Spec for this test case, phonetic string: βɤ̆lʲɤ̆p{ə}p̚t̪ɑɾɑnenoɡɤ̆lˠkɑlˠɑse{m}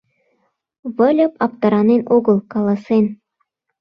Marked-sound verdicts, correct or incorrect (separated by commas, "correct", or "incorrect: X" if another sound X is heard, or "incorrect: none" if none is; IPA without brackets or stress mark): incorrect: ɑ, incorrect: n